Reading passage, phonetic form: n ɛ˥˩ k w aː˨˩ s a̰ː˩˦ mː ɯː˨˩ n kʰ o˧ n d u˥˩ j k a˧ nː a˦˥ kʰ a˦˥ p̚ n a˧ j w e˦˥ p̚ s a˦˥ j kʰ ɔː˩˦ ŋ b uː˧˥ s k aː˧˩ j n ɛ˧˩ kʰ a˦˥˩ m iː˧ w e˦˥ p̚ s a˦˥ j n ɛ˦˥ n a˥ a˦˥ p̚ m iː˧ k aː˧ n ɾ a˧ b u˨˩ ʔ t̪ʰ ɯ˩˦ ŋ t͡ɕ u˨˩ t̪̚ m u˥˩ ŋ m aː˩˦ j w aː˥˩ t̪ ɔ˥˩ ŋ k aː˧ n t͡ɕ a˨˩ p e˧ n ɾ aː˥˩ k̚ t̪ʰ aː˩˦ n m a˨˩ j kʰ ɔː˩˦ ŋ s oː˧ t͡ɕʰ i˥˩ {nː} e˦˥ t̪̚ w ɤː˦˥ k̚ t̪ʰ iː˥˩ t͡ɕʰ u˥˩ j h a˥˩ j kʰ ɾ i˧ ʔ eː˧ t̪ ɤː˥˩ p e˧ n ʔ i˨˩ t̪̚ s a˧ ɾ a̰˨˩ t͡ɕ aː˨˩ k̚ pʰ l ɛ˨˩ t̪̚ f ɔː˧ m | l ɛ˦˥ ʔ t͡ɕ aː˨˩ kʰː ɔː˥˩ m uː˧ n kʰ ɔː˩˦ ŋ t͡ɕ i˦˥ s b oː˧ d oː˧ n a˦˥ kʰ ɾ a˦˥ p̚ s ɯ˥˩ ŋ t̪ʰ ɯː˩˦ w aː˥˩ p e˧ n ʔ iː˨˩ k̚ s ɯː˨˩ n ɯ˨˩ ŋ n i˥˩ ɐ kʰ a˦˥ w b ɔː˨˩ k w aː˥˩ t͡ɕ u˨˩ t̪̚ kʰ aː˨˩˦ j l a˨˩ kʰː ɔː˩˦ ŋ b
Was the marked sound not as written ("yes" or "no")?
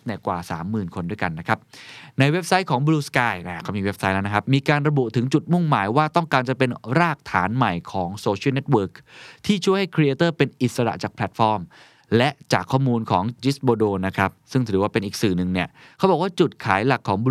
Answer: yes